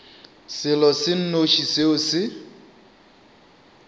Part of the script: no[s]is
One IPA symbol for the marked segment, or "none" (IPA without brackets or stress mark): ʃ